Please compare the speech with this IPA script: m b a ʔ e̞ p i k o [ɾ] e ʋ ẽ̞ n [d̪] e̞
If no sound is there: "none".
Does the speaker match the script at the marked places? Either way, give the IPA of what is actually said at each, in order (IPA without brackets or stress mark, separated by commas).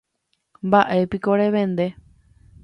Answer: ɾ, d̪